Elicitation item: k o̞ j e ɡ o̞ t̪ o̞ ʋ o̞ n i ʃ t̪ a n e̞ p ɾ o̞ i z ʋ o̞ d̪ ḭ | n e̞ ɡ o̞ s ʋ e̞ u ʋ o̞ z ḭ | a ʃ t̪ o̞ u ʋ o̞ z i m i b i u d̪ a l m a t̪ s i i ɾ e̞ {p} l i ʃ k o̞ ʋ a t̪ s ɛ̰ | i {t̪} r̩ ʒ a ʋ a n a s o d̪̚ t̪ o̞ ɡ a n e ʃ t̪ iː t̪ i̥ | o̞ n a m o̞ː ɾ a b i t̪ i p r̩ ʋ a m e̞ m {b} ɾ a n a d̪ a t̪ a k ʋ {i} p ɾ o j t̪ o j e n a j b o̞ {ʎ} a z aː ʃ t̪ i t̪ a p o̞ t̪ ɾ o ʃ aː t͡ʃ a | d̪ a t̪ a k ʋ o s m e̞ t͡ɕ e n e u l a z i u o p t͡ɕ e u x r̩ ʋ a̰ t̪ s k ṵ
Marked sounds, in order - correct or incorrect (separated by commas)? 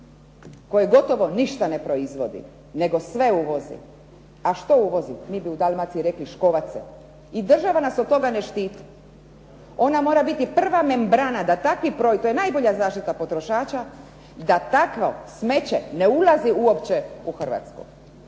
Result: incorrect, incorrect, correct, correct, correct